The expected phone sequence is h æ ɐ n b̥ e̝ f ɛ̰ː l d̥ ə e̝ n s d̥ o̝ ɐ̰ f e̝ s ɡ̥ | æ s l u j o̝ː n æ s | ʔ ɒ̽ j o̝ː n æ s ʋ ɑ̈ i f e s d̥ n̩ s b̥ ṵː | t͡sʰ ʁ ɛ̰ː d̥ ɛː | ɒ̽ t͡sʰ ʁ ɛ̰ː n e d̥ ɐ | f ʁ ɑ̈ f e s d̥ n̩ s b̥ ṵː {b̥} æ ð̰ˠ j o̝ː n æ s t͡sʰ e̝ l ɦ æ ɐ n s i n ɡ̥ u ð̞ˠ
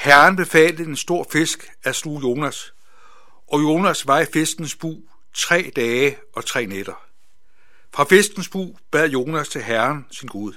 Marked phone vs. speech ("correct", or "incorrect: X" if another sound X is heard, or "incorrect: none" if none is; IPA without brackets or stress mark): correct